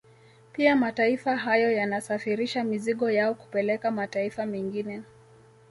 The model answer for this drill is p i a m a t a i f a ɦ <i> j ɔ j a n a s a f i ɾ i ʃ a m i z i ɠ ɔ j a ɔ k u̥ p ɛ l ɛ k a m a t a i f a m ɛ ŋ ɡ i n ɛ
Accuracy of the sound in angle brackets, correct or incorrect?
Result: incorrect